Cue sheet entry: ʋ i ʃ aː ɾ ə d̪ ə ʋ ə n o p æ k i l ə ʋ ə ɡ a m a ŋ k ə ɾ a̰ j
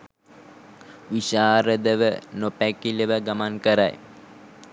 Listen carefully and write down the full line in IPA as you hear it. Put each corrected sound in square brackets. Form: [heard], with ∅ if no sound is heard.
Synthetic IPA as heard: ʋ i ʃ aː ɾ ə d̪ ə ʋ ə n o p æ k i l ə ʋ ə ɡ a m a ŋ k ə ɾ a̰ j